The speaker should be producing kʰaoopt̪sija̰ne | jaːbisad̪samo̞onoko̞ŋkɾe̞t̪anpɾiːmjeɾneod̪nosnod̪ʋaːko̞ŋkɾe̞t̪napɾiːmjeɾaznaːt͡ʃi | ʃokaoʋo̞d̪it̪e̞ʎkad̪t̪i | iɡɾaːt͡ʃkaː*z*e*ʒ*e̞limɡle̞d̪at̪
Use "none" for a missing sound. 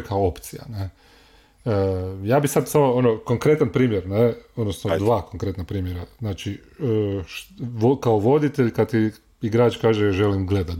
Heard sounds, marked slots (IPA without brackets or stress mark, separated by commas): ʒ, ʒ